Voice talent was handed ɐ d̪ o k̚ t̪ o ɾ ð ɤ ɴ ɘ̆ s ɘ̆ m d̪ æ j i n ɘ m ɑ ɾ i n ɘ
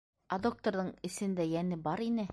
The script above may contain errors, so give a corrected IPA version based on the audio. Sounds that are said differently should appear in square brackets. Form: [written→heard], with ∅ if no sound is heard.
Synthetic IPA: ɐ d̪ o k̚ t̪ o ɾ ð ɤ ɴ ɘ̆ s ɘ̆ [m→n] d̪ æ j [i→æ] n ɘ [m→b] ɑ ɾ i n ɘ